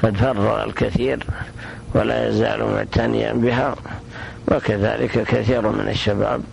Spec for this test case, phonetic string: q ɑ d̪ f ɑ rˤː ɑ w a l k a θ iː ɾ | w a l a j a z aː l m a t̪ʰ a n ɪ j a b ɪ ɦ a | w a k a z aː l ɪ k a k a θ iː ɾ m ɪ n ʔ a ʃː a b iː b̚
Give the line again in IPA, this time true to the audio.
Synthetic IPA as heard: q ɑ d̪ f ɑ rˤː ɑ ɣ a l k a θ iː ɾ | w a l a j a z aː l m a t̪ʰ a n ɪ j a b ɪ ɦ a | w a k a ð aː l ɪ k a k a θ iː ɾ m ɪ n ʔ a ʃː a b aː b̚